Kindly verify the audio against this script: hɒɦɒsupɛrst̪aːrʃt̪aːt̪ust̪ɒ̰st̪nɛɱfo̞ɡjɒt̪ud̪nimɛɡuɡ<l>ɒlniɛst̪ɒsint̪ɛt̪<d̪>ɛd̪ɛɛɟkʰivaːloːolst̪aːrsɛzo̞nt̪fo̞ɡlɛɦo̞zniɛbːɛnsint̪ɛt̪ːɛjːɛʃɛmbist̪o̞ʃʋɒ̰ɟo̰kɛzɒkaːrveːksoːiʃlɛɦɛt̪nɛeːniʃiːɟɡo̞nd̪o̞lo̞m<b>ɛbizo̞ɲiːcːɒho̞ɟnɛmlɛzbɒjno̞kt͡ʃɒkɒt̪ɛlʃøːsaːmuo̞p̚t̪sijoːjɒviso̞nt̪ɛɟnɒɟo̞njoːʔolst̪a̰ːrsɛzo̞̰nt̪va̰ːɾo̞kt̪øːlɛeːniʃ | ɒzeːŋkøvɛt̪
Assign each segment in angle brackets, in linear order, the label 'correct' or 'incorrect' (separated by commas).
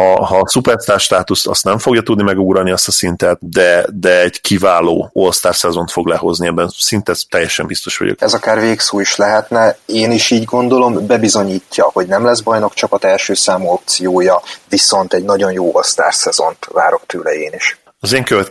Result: incorrect, correct, correct